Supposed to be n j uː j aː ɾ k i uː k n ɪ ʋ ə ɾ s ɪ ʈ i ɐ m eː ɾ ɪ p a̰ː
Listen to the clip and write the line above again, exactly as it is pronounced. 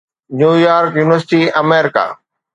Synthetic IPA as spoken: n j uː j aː ɾ k j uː n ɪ ʋ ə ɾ s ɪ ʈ i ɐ m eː ɾ ɪ k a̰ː